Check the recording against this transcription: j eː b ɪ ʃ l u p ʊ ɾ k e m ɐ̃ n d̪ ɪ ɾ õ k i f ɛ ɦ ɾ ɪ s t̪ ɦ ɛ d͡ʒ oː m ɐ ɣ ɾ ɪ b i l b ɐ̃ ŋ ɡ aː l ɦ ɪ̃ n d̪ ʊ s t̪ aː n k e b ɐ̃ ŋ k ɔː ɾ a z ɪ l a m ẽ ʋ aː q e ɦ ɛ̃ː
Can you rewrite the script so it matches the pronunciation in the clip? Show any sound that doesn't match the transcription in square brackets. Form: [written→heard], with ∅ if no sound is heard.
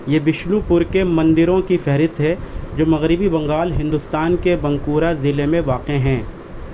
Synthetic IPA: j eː b ɪ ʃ l u p ʊ ɾ k e m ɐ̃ n d̪ ɪ ɾ õ k i f ɛ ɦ ɾ ɪ s t̪ ɦ ɛ d͡ʒ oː m ɐ ɣ ɾ ɪ b i [l→∅] b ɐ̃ ŋ ɡ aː l ɦ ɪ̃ n d̪ ʊ s t̪ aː n k e b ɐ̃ ŋ k [ɔː→uː] ɾ a z ɪ l [a→e] m ẽ ʋ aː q e ɦ ɛ̃ː